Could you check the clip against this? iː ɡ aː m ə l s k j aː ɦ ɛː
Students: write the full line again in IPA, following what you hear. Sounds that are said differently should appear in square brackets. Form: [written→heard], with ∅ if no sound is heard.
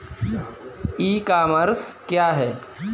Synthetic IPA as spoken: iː [ɡ→k] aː m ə [l→ɾ] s k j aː ɦ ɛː